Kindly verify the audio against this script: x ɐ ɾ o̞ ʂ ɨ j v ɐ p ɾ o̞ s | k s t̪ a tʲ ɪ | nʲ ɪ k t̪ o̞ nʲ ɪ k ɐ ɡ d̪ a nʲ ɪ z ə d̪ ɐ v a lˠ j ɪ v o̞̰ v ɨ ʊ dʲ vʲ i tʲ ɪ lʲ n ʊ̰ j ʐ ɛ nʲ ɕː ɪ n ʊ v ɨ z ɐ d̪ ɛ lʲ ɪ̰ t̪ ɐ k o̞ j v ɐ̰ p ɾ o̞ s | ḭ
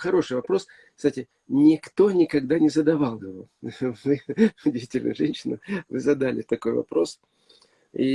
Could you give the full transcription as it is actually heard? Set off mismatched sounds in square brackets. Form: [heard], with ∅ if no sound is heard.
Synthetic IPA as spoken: x ɐ ɾ o̞ ʂ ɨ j v ɐ p ɾ o̞ s | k s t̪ a tʲ ɪ | nʲ ɪ k t̪ o̞ nʲ ɪ k ɐ ɡ d̪ a nʲ ɪ z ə d̪ ɐ v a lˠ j ɪ v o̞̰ v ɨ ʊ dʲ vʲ i tʲ ɪ lʲ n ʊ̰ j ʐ ɛ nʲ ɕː ɪ n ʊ v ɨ z ɐ d̪ [a] lʲ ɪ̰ t̪ ɐ k o̞ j v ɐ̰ p ɾ o̞ s | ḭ